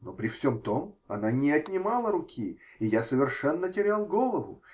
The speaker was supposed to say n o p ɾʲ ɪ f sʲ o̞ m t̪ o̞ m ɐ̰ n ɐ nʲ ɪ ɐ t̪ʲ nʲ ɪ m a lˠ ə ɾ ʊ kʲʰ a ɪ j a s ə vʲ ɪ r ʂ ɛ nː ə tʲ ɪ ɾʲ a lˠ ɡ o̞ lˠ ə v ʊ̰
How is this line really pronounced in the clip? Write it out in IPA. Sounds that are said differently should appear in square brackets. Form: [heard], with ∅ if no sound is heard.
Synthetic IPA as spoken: n o p ɾʲ ɪ f sʲ o̞ m t̪ o̞ m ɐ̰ n [a] nʲ ɪ ɐ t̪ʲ nʲ ɪ m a lˠ ə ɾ ʊ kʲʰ [i] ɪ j a s ə vʲ ɪ r ʂ ɛ nː ə tʲ ɪ ɾʲ a lˠ ɡ o̞ lˠ ə v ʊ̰